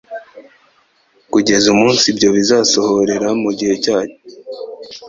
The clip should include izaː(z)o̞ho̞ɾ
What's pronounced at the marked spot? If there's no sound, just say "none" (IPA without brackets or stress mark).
s